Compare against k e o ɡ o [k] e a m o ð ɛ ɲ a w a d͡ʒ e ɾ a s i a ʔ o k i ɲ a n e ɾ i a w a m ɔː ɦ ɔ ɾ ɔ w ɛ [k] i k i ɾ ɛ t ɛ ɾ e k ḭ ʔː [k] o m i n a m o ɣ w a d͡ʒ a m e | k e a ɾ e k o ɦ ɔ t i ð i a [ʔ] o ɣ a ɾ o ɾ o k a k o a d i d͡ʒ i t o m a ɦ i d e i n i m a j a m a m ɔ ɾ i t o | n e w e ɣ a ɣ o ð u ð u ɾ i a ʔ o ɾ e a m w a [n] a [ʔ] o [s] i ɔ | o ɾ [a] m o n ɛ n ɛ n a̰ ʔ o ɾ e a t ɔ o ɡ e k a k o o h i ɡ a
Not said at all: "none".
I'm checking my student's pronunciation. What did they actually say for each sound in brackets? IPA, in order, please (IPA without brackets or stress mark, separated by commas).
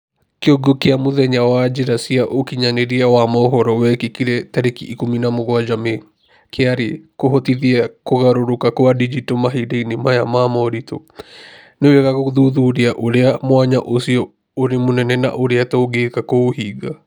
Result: k, k, k, k, ɲ, ʔ, s, e